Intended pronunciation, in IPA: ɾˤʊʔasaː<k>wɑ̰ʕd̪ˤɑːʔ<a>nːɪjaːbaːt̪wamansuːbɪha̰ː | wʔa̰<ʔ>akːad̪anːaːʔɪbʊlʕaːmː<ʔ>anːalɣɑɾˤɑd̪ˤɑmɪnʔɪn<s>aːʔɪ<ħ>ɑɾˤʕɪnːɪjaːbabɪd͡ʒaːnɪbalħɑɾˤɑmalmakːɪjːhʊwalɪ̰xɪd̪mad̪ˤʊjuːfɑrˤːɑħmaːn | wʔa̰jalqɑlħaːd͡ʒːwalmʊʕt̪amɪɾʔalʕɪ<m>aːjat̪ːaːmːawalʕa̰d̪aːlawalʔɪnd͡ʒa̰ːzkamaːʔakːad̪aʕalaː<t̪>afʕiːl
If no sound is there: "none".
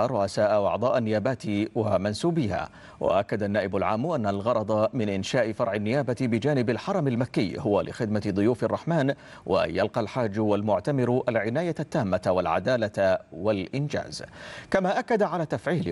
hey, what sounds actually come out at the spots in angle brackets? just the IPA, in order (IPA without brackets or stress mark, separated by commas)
ʔ, a, ʔ, ʔ, ʃ, f, n, t̪